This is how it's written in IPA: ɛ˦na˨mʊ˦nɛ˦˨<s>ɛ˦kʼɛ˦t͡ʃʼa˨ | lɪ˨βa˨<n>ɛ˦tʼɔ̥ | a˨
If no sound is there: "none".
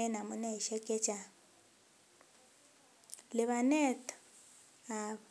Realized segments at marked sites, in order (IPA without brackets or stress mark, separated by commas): ʃ, n